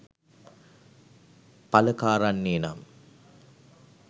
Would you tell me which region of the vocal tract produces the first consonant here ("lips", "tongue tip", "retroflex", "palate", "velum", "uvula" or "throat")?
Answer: lips